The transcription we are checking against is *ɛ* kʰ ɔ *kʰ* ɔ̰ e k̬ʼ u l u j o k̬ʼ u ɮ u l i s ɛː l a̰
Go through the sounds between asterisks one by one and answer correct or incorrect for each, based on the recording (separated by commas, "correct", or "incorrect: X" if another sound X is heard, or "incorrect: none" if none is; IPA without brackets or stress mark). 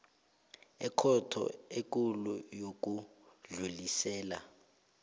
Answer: correct, incorrect: tʰ